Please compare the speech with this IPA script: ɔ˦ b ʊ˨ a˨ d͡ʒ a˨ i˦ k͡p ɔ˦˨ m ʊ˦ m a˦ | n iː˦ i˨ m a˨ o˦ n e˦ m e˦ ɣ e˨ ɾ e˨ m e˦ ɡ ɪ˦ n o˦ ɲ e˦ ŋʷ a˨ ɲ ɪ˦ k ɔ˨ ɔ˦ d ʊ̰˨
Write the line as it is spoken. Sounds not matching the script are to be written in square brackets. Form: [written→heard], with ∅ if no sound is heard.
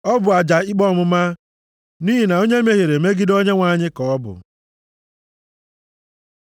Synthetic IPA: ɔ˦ b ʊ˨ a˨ d͡ʒ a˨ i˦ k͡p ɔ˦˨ m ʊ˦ m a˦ | n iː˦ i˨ [m→n] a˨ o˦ [n→ɲ] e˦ m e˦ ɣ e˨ ɾ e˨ m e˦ ɡ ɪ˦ [n→d] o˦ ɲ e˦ ŋʷ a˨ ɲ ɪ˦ k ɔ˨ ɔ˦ [d→b] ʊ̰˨